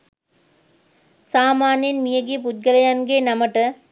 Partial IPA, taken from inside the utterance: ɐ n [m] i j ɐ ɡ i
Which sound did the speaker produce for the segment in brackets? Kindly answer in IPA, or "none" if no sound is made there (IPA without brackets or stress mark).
m